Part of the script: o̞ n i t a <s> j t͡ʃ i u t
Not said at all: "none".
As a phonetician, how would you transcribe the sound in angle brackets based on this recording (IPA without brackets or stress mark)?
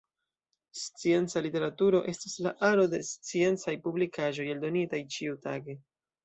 none